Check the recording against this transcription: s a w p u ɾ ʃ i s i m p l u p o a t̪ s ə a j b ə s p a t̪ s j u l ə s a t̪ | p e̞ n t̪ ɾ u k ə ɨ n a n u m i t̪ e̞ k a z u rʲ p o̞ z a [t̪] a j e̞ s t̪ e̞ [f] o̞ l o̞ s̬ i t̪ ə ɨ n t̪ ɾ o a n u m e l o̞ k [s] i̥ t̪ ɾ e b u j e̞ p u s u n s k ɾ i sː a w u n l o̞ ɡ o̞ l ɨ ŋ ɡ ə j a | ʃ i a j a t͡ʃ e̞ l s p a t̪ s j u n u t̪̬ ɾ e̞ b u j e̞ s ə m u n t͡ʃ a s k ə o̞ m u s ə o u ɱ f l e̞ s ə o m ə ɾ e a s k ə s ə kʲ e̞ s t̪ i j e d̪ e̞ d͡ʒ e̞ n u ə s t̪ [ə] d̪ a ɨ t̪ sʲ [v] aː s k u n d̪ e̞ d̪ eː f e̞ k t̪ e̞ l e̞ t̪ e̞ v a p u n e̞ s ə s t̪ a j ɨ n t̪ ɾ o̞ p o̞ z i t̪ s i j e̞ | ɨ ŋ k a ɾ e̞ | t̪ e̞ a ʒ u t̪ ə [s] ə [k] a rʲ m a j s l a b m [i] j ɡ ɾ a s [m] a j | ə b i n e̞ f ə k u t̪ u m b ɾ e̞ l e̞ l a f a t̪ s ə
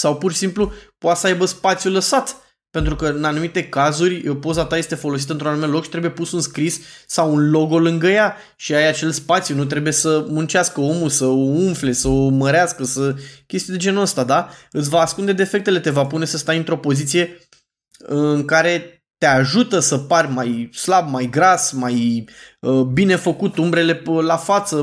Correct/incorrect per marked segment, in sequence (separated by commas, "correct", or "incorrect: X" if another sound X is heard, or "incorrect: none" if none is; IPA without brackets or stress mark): correct, correct, incorrect: ʃ, incorrect: a, correct, correct, incorrect: p, incorrect: a, correct